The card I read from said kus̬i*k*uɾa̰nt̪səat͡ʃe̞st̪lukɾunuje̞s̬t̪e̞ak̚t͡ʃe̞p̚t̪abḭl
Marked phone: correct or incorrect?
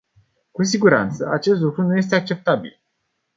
incorrect